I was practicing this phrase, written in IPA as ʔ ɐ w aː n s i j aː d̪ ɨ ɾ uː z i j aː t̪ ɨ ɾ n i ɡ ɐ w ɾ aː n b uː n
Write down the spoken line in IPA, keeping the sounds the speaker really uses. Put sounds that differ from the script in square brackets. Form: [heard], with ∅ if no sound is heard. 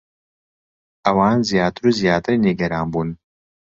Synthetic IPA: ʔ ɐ w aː n [z] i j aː [t̪] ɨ ɾ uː z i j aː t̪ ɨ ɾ n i ɡ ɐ [∅] ɾ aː n b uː n